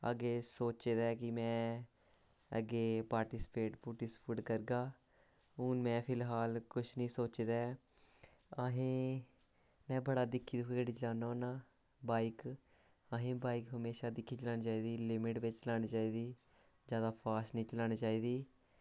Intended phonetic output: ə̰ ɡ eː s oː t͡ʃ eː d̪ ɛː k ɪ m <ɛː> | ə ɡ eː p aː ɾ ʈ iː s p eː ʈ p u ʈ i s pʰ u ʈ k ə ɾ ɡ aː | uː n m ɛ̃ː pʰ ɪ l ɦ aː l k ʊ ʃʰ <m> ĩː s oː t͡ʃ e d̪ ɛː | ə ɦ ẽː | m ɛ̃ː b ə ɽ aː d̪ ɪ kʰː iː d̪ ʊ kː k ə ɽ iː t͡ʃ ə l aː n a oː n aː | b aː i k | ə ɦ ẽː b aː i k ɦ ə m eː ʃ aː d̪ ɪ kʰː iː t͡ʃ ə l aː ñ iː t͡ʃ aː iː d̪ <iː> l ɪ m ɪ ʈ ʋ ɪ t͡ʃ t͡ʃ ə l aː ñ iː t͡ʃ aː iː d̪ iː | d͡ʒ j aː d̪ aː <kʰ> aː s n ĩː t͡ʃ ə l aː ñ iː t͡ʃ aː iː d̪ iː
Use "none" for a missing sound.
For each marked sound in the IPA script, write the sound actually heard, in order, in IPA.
ɛ̃ː, n, iː, pʰ

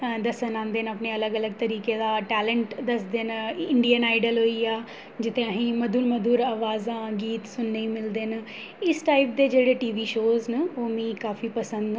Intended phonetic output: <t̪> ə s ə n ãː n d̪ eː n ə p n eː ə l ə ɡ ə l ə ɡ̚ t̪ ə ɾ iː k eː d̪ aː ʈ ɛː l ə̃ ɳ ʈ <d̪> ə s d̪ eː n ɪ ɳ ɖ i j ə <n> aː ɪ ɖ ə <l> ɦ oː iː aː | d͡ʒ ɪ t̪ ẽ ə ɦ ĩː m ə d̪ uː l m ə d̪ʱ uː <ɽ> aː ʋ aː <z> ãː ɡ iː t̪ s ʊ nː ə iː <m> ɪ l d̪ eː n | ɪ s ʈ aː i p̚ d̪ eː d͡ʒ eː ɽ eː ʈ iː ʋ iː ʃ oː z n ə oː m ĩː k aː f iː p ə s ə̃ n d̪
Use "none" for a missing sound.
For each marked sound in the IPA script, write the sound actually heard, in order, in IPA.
d̪, d̪, n, l, ɾ, z, m

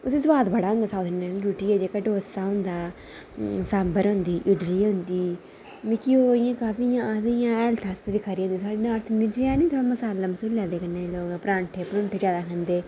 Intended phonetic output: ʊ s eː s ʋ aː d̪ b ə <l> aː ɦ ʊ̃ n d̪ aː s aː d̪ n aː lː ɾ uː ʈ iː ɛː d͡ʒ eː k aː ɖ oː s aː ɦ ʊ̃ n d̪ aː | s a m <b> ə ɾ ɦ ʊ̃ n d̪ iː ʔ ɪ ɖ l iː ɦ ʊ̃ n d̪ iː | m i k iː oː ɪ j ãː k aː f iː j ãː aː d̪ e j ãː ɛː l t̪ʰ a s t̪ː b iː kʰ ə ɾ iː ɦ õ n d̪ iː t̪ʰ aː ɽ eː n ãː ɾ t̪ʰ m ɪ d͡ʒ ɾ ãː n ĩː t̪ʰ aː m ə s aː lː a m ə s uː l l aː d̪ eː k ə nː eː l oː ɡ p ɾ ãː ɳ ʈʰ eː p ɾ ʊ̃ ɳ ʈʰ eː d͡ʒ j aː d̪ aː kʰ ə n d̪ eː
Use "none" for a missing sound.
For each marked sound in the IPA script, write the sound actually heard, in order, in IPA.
ɽ, b

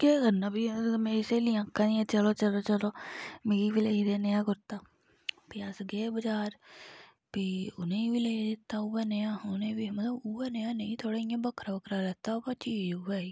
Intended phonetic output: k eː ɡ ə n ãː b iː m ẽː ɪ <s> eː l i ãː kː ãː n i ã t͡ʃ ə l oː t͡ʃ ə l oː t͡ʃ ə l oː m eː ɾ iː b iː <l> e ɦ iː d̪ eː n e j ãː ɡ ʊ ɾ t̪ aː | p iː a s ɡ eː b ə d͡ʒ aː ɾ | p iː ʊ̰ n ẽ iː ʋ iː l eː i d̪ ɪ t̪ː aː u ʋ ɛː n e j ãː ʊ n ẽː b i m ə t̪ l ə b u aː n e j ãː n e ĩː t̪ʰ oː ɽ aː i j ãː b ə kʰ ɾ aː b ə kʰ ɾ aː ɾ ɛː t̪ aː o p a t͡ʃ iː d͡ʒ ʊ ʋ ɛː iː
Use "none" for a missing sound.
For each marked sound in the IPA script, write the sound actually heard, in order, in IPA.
s, l

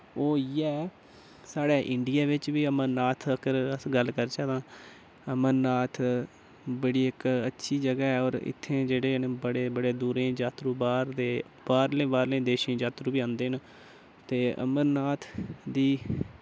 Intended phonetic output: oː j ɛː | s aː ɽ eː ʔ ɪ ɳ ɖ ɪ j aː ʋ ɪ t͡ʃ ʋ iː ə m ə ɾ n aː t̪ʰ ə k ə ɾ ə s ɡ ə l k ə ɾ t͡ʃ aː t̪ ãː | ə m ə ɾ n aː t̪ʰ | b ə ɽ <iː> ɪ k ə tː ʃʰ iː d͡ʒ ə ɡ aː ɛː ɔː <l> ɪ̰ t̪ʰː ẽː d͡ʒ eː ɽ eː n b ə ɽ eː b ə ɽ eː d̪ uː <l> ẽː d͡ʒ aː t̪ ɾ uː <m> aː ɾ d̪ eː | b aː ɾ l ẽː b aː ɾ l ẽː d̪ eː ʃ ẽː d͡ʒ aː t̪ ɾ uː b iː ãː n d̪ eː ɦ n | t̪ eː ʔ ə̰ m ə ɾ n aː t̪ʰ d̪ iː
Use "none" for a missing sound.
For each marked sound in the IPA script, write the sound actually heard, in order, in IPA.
iː, ɾ, ɾ, b

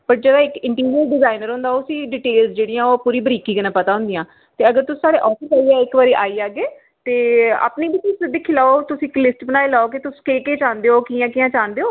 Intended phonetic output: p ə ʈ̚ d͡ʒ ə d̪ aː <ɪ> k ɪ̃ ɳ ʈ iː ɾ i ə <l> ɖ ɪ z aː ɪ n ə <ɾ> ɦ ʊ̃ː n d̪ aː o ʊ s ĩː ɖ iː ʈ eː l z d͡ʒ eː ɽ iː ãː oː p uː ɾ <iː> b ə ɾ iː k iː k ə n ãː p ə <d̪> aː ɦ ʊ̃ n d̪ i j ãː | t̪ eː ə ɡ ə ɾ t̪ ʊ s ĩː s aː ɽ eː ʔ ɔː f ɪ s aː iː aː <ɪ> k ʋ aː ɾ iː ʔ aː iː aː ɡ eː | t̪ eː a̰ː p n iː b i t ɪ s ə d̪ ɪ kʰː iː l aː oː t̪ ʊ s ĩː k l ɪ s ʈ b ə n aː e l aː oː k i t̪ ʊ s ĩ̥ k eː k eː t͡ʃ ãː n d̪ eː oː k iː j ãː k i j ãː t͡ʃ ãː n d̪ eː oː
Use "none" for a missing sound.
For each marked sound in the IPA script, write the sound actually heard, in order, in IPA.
ɪ, l, ɾ, iː, t̪, ɪ

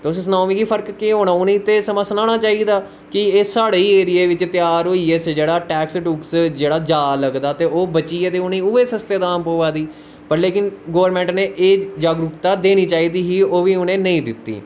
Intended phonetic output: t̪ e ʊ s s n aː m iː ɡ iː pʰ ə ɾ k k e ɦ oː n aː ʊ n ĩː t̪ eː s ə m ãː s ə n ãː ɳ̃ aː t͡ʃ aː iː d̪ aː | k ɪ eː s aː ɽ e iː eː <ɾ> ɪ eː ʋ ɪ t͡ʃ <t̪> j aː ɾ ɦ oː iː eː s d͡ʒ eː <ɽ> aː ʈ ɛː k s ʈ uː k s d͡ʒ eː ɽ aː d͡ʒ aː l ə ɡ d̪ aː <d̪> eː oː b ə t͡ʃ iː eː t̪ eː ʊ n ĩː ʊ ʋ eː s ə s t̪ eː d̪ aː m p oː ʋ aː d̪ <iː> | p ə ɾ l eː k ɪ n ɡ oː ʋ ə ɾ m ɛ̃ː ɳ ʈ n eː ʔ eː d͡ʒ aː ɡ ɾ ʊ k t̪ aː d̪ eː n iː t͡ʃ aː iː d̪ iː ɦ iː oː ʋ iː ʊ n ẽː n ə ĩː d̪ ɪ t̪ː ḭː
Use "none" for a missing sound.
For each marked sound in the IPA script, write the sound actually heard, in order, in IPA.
ɾ, t̪, ɽ, t̪, iː

